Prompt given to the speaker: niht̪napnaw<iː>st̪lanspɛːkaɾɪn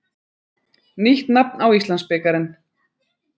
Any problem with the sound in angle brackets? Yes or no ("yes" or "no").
yes